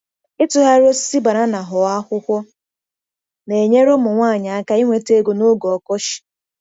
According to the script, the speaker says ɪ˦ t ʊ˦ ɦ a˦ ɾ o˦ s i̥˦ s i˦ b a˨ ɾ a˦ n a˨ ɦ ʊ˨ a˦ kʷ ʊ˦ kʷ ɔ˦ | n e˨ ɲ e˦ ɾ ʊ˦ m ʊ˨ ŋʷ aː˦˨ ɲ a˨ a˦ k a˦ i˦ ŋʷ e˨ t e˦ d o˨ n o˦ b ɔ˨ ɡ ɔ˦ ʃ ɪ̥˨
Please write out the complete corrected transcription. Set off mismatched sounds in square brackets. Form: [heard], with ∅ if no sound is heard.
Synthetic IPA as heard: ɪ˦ t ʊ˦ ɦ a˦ ɾ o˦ s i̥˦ s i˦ b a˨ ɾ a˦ n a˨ ɦ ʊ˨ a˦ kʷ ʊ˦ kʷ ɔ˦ | n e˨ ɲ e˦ ɾ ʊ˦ m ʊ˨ ŋʷ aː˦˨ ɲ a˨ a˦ k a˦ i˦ ŋʷ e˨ t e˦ [ɡ] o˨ n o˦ [ɡ] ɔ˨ [k] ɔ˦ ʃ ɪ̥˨